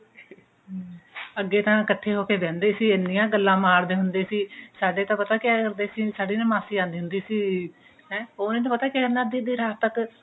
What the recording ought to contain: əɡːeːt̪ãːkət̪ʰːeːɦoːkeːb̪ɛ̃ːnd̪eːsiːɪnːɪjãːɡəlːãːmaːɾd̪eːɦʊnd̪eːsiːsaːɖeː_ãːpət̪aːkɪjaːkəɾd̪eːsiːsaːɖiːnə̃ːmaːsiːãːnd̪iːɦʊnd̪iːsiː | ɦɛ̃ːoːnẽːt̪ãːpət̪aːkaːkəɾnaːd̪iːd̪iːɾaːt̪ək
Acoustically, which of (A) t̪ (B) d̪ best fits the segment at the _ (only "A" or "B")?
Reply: A